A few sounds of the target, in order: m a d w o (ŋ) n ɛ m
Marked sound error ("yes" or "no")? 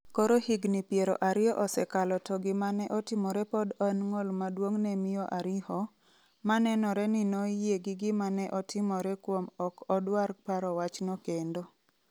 no